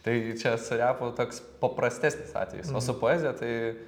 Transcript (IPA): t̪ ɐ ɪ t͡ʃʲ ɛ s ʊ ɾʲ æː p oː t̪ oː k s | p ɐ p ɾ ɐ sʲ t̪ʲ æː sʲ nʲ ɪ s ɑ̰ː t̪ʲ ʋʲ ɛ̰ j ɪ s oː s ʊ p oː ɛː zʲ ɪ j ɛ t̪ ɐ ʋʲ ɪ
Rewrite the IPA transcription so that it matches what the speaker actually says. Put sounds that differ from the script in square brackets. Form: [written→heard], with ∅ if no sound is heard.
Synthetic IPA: t̪ ɐ ɪ t͡ʃʲ ɛ s ʊ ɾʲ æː p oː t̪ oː k s | p ɐ p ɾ ɐ sʲ t̪ʲ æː sʲ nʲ ɪ s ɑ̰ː t̪ʲ ʋʲ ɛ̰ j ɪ s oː s ʊ p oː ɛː zʲ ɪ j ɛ t̪ ɐ [ʋʲ→∅] ɪ

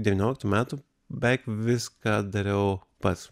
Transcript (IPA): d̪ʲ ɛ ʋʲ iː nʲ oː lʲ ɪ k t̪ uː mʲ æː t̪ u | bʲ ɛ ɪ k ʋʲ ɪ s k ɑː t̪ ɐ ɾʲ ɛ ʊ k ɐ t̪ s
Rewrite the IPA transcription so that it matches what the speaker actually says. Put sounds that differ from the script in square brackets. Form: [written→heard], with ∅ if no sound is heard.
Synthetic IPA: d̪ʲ ɛ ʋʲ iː nʲ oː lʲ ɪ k t̪ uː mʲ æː t̪ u | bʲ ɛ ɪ k ʋʲ ɪ s k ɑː [t̪→d̪] ɐ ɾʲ ɛ ʊ [k→p] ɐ t̪ s

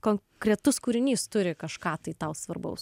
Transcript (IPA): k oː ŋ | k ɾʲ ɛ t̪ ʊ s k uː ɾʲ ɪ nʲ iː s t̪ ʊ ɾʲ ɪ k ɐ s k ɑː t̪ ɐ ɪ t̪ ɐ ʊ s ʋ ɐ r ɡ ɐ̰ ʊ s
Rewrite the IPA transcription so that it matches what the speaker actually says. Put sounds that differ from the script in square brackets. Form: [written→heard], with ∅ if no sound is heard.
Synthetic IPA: k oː ŋ | k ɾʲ ɛ t̪ ʊ s k uː ɾʲ ɪ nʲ iː s t̪ ʊ ɾʲ ɪ k ɐ [s→ʃ] k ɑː t̪ ɐ ɪ t̪ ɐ ʊ s ʋ ɐ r [ɡ→b] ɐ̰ ʊ s

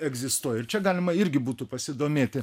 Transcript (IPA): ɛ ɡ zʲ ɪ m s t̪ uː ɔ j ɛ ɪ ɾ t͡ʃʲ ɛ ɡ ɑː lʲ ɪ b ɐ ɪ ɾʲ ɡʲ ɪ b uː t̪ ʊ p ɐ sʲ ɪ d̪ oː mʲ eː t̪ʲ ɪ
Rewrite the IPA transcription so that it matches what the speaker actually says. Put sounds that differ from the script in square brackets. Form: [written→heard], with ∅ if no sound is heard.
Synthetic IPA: ɛ ɡ zʲ ɪ [m→∅] s t̪ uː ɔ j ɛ ɪ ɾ t͡ʃʲ ɛ ɡ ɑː lʲ ɪ [b→m] ɐ ɪ ɾʲ ɡʲ ɪ b uː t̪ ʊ p ɐ sʲ ɪ d̪ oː mʲ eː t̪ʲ ɪ

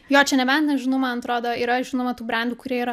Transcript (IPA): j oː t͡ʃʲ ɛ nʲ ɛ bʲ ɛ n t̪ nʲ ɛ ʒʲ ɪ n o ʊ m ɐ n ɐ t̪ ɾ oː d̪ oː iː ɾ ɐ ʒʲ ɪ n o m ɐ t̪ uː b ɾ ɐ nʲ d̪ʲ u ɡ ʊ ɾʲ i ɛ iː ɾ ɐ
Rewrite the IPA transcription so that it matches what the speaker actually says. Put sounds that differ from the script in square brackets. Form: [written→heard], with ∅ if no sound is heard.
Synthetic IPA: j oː t͡ʃʲ ɛ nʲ ɛ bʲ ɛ n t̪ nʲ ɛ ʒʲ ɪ n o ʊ m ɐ n ɐ t̪ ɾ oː d̪ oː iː ɾ ɐ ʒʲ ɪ n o m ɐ t̪ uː b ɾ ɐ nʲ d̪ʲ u [ɡ→k] ʊ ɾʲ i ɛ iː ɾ ɐ

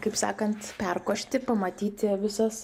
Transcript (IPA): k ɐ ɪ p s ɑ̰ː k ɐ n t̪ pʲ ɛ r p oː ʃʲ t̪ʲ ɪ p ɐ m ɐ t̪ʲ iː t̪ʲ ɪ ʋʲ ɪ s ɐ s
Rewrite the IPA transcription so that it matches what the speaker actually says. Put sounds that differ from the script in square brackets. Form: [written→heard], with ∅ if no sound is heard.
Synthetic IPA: k ɐ ɪ p s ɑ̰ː k ɐ n t̪ pʲ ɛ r [p→k] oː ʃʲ t̪ʲ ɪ p ɐ m ɐ t̪ʲ iː t̪ʲ ɪ ʋʲ ɪ s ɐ s

